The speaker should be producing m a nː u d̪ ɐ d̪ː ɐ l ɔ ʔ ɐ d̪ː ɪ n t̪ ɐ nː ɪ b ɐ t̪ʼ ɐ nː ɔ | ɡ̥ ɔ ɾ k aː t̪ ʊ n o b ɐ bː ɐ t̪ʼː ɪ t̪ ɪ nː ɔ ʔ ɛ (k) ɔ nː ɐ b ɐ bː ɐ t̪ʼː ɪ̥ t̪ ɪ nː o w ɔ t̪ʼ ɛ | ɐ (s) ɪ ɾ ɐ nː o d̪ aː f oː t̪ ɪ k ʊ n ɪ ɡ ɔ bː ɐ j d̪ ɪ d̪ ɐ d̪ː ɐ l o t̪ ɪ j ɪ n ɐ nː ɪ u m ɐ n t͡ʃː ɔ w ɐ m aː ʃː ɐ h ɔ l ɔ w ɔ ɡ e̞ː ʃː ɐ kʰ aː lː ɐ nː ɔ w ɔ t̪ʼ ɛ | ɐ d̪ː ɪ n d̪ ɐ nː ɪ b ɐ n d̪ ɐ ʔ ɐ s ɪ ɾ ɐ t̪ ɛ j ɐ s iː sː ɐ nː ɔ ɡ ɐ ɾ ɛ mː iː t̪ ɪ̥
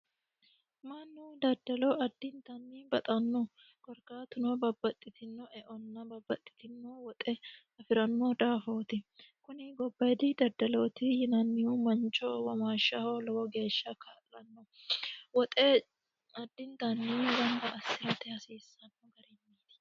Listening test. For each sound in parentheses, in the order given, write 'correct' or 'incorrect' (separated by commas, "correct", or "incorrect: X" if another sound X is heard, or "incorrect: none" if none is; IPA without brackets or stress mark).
incorrect: ʔ, incorrect: f